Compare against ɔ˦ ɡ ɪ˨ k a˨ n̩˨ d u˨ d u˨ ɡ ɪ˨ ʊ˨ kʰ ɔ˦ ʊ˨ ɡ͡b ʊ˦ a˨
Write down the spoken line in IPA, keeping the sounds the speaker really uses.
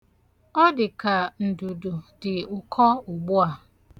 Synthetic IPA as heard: ɔ˦ d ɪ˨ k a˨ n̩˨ d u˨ d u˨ d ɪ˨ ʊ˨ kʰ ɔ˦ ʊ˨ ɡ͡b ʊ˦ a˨